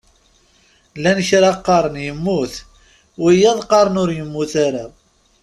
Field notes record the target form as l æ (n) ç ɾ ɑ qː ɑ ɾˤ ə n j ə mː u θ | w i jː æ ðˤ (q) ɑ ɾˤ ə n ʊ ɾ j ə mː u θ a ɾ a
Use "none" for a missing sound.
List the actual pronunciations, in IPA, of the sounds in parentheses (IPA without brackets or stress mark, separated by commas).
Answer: n, q